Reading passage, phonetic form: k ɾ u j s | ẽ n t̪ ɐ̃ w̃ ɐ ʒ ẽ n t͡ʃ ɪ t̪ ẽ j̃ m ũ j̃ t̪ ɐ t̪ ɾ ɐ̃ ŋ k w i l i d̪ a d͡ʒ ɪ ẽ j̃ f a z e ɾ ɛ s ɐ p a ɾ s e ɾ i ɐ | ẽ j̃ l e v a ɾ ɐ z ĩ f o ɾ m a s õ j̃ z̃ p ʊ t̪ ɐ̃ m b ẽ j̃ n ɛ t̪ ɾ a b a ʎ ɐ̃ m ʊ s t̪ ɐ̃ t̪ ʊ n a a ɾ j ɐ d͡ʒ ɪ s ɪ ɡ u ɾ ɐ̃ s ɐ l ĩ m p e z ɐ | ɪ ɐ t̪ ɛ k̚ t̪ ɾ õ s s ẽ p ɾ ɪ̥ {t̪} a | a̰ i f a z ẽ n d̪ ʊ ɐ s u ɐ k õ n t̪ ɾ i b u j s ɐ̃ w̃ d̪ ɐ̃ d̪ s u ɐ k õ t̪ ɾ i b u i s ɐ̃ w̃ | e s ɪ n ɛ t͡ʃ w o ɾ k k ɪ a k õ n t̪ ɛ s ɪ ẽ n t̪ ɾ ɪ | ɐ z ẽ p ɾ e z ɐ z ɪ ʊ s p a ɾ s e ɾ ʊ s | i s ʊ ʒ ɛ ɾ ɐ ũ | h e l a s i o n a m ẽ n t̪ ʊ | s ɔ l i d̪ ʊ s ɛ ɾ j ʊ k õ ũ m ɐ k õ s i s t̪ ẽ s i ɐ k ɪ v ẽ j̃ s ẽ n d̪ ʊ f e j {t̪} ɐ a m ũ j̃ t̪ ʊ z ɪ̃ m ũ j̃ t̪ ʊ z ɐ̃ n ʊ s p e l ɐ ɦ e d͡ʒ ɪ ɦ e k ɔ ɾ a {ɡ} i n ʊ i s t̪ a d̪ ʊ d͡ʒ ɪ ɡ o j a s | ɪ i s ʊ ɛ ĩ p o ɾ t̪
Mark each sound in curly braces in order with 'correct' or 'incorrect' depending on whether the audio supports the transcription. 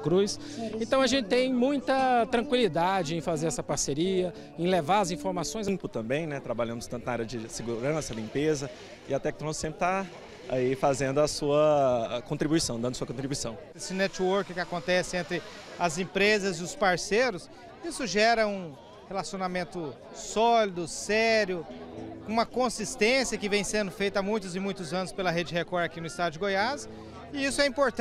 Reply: correct, correct, incorrect: k

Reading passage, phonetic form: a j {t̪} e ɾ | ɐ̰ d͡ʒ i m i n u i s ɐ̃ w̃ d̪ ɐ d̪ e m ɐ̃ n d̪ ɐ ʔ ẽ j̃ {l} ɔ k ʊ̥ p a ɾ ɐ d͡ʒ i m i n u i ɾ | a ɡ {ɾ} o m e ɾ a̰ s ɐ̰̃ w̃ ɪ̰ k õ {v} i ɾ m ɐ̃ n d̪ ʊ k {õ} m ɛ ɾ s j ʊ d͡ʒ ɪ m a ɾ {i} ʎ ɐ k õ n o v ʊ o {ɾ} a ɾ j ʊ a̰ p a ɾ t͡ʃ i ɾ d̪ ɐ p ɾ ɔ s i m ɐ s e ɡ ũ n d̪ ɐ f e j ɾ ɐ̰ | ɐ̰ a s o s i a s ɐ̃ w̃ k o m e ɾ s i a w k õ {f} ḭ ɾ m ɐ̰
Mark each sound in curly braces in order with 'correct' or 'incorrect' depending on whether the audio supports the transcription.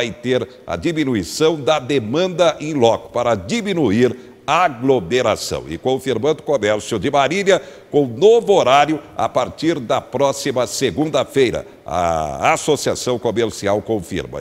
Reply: correct, correct, incorrect: l, incorrect: f, incorrect: o, correct, correct, correct

